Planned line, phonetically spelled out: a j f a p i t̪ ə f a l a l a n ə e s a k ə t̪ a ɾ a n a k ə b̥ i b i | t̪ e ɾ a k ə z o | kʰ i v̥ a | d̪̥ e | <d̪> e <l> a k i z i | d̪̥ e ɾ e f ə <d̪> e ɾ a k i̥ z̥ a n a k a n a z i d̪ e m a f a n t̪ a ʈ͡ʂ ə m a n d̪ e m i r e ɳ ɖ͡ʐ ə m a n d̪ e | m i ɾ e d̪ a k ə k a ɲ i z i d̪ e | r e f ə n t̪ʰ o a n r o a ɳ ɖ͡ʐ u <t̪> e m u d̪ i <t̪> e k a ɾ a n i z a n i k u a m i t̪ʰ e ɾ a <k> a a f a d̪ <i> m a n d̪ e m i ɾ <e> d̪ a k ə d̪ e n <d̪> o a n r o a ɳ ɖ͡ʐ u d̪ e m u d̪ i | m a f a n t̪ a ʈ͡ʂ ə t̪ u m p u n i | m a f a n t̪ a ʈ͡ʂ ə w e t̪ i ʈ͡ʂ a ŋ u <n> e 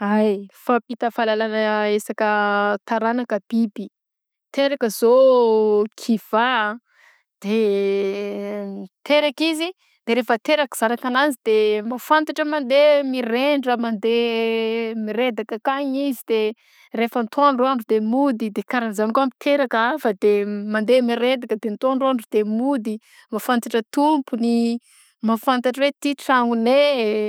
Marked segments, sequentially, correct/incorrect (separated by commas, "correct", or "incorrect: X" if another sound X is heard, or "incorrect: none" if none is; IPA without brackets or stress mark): incorrect: t̪, incorrect: ɾ, incorrect: t̪, incorrect: d̪, incorrect: d̪, correct, incorrect: e, correct, incorrect: t̪, correct